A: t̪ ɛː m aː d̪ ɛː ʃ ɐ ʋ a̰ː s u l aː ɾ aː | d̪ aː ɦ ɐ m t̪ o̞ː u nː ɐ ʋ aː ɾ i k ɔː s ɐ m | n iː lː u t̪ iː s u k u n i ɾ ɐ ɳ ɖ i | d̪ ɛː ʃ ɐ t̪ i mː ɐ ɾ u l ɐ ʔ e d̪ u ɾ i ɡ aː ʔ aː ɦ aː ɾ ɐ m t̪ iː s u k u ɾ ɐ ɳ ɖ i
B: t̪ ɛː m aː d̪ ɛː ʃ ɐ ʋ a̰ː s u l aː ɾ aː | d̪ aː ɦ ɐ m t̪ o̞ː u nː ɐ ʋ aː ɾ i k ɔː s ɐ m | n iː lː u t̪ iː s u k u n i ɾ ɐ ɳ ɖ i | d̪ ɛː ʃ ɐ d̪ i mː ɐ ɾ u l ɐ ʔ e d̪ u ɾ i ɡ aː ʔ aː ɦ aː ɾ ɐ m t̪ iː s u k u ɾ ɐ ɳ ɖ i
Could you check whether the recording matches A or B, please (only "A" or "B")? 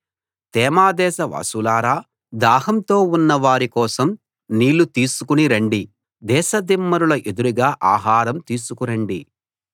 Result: B